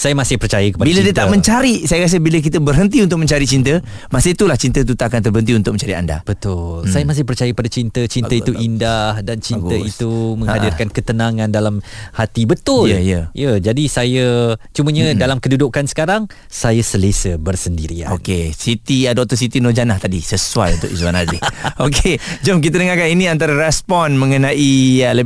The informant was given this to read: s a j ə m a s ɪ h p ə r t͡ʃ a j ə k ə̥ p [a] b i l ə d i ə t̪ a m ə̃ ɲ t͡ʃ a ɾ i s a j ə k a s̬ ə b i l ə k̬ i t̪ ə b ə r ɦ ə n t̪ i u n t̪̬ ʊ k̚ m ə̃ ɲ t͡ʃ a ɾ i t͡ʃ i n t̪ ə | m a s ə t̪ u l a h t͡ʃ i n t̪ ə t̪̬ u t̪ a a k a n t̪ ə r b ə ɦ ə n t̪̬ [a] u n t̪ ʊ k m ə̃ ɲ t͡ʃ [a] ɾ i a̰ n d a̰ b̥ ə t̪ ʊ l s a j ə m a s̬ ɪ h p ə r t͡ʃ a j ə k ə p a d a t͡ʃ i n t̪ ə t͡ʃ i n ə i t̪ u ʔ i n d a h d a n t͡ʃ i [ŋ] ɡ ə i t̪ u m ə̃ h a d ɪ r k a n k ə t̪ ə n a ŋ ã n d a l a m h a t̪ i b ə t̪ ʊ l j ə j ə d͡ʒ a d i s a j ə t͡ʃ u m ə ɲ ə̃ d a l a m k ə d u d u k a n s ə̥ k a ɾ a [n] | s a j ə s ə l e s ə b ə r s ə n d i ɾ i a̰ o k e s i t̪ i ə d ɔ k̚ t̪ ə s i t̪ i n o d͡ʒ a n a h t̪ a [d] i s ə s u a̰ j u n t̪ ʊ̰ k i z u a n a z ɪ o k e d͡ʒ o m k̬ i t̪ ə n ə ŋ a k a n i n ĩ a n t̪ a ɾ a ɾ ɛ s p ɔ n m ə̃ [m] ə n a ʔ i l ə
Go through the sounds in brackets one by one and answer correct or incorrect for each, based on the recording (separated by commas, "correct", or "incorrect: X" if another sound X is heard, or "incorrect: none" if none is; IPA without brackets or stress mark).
correct, incorrect: i, correct, incorrect: n, incorrect: ŋ, correct, incorrect: ŋ